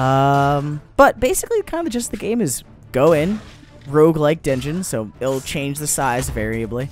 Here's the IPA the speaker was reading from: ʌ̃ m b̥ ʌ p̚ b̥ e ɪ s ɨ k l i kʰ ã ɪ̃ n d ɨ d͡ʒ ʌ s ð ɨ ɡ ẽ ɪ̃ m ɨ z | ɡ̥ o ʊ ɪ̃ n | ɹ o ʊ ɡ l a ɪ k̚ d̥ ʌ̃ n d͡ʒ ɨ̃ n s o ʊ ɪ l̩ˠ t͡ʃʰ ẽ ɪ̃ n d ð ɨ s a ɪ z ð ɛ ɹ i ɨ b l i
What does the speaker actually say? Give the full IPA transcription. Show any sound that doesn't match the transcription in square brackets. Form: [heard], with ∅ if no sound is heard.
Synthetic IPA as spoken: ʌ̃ m b̥ ʌ [t̚] b̥ e ɪ s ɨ k l i kʰ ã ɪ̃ n d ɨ d͡ʒ ʌ s ð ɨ ɡ ẽ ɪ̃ m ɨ z | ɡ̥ o ʊ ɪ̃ n | ɹ o ʊ ɡ l a ɪ k̚ d̥ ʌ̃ n d͡ʒ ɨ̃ n s o ʊ ɪ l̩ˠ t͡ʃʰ ẽ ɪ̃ n [d͡ʒ] ð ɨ s a ɪ z [v] ɛ ɹ i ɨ b l i